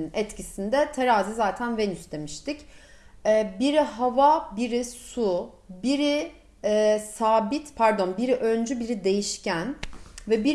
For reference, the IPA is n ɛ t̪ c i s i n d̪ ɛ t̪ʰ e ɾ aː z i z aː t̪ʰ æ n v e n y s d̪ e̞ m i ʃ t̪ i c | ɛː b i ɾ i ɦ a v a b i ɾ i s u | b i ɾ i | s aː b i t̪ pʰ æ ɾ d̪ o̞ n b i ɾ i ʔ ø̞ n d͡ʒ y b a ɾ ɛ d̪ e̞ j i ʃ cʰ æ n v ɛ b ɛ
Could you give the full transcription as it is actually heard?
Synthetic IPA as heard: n ɛ t̪ c i s i n d̪ ɛ t̪ʰ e ɾ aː z i z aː t̪ʰ æ n v e n y s d̪ e̞ m i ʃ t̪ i c | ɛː b i ɾ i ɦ a v a b i ɾ i s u | b i ɾ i | s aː b i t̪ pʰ æ ɾ d̪ o̞ n b i ɾ i ʔ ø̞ n d͡ʒ y b i ɾ i d̪ e̞ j i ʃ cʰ æ n v ɛ b i